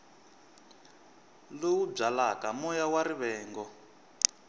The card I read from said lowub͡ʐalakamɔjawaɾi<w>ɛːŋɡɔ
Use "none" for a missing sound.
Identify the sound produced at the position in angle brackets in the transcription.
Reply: β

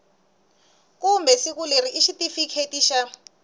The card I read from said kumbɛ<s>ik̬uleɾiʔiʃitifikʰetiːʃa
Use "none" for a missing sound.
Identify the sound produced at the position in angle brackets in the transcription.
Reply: s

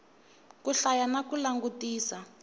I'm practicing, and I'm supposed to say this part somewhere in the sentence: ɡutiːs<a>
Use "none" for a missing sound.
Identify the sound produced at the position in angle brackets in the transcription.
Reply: a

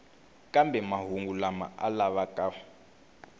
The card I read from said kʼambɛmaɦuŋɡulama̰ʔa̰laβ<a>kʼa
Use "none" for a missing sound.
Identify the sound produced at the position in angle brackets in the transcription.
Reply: a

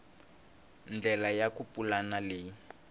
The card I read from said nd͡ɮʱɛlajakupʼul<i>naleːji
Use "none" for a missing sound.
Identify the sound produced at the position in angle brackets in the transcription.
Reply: a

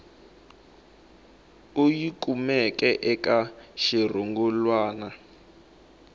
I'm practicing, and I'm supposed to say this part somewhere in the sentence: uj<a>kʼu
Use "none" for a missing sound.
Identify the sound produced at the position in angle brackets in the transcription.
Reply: i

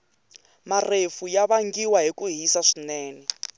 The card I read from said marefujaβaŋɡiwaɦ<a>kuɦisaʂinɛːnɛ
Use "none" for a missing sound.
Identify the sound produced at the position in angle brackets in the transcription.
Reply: i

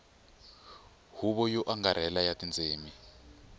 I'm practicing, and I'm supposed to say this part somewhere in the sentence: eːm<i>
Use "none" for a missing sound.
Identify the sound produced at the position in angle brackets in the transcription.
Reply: i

